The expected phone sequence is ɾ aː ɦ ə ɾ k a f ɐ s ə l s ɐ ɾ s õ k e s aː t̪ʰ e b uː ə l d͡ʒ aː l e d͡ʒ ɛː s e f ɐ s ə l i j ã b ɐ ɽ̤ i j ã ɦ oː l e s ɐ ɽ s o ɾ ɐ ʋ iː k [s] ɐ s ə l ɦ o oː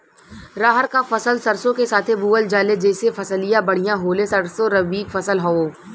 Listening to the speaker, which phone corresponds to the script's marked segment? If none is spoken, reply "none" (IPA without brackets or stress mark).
f